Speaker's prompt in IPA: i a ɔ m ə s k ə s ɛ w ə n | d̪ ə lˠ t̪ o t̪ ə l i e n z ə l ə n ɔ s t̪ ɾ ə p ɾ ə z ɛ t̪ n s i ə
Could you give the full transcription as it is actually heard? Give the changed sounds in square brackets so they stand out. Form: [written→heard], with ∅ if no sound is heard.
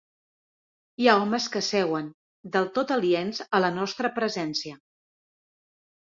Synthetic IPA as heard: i a ɔ m ə s k ə s ɛ w ə n | d̪ ə lˠ t̪ o t̪ ə l i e n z ə l ə n ɔ s t̪ ɾ ə p ɾ ə z ɛ [t̪→∅] n s i ə

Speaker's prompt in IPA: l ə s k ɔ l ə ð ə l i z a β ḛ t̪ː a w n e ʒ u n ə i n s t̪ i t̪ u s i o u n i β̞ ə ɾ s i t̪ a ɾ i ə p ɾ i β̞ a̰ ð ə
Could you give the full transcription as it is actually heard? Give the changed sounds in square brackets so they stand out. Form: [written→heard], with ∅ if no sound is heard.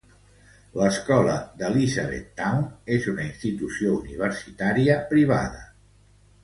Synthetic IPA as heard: l ə s k ɔ l ə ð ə l i z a β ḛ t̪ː a w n e [ʒ→z] u n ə i n s t̪ i t̪ u s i o u n i β̞ ə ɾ s i t̪ a ɾ i ə p ɾ i β̞ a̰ ð ə

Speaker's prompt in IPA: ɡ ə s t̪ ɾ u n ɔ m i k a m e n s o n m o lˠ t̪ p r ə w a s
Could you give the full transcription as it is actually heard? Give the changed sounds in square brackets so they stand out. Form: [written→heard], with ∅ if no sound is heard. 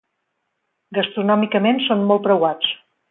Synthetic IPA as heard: ɡ ə s t̪ ɾ u n ɔ m i k [a→ə] m e n s o n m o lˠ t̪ p [r→ɾ] ə w a [s→t͡s]

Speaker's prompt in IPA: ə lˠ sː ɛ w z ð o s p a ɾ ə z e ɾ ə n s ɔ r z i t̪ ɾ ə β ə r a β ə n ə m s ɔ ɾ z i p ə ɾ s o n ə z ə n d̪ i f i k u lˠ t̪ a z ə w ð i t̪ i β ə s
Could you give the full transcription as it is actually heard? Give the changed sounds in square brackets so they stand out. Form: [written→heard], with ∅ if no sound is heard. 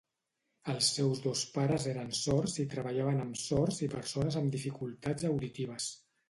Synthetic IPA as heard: ə lˠ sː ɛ w z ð o s p a ɾ ə z e ɾ ə n s ɔ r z i t̪ ɾ ə β ə [r→ʎ] a β ə n ə m s ɔ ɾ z i p ə ɾ s o n ə z ə [n→m] d̪ i f i k u lˠ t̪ a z ə w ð i t̪ i β ə s

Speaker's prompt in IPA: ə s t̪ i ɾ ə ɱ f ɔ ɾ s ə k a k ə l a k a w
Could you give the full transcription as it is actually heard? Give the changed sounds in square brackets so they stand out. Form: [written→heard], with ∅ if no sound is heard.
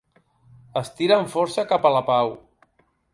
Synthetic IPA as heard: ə s t̪ i ɾ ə ɱ f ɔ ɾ s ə k a [k→p] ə l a [k→p] a w

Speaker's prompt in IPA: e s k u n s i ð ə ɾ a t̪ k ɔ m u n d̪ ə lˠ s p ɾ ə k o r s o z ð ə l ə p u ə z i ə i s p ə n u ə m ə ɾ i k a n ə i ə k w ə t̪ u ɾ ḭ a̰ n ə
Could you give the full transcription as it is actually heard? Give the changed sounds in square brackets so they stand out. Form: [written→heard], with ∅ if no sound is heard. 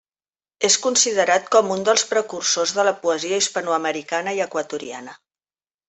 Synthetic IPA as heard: e s k u n s i ð ə ɾ a t̪ k ɔ m u n d̪ ə lˠ s p ɾ ə k [o→u] r s o z ð ə l ə p u ə z i ə i s p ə n u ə m ə ɾ i k a n ə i ə k w ə t̪ u ɾ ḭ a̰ n ə

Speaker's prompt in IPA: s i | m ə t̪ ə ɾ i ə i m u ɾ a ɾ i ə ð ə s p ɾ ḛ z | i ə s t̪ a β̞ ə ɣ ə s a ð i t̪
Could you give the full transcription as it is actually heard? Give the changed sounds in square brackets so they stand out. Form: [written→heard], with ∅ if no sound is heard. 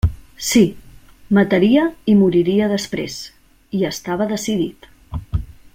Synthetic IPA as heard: s i | m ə t̪ ə ɾ i ə i m u ɾ [a→i] ɾ i ə ð ə s p ɾ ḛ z | i ə s t̪ a β̞ ə [ɣ→ð] ə s [a→i] ð i t̪

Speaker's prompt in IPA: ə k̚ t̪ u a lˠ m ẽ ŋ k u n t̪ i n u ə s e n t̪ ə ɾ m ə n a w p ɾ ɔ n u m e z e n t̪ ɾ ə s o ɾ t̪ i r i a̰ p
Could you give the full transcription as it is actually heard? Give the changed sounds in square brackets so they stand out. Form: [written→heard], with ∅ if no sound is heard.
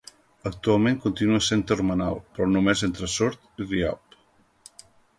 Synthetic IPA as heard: ə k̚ t̪ u a lˠ m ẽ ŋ k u n t̪ i n u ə s e n t̪ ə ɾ m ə n a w p ɾ ɔ n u m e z e n t̪ ɾ ə s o ɾ t̪ i r i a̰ p

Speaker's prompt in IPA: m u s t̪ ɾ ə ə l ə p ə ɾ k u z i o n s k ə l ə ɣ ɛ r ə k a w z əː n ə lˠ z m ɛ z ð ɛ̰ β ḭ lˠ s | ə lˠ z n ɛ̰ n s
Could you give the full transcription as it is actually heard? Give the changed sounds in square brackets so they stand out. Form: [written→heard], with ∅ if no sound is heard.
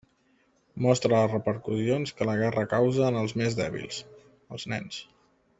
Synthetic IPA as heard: m [u→ɔ] s t̪ ɾ ə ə [l→r] ə p ə ɾ k u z i o n s k ə l ə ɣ ɛ r ə k a w z əː n ə lˠ z m [ɛ→e] z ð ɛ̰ β ḭ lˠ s | ə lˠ z n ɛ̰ n s

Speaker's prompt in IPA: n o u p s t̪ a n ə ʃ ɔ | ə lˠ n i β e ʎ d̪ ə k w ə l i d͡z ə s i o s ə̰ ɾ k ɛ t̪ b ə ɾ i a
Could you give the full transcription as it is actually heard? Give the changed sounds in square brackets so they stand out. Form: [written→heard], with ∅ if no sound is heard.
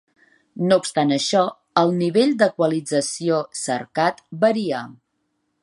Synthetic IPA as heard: n o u p s t̪ a n ə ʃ ɔ | ə lˠ n i β e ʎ d̪ ə k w ə l i d͡z ə s i o s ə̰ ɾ k [ɛ→a] t̪ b ə ɾ i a

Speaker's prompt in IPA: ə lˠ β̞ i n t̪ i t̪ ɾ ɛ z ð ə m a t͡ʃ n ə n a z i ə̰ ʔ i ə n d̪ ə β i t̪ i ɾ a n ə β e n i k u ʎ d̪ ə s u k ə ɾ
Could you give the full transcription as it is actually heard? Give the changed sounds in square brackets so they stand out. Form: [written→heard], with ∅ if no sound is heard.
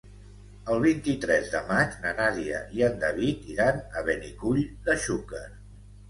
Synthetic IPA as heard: ə lˠ β̞ i n t̪ i t̪ ɾ ɛ z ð ə m a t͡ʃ n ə n a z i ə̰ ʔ i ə n d̪ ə β i t̪ i ɾ a n ə β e n i k u ʎ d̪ ə [s→ʃ] u k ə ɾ

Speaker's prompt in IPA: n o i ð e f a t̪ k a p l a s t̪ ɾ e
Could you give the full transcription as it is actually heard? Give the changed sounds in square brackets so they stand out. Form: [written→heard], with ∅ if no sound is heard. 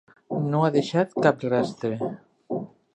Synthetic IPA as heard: n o [i→a] ð e [f→ʃ] a t̪ k a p [l→r] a s t̪ ɾ e

